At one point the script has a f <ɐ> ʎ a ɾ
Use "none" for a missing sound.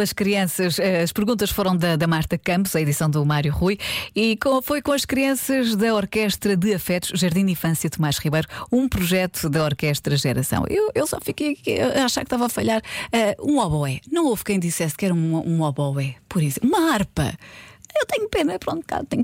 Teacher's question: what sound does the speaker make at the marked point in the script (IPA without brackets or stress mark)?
ɐ